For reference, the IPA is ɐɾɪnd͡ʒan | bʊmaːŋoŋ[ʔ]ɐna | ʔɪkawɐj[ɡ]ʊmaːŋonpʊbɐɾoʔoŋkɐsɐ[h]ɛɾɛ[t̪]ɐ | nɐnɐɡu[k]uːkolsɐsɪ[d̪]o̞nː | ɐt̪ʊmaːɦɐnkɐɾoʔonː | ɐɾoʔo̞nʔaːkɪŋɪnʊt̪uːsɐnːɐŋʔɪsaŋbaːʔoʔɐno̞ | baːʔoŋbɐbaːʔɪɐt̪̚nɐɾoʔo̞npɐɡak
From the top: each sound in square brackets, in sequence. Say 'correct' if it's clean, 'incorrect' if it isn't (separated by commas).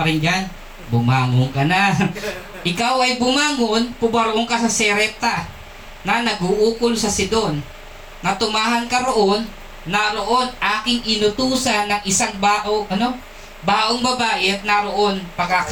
incorrect, incorrect, incorrect, correct, incorrect, correct